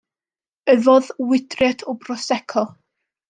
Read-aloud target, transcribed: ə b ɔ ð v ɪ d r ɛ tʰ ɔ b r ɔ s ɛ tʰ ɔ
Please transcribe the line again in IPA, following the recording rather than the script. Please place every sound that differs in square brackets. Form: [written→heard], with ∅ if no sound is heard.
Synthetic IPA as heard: ə [b→v] ɔ ð [v→w] ɪ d r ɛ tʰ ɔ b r ɔ s ɛ [tʰ→kʰ] ɔ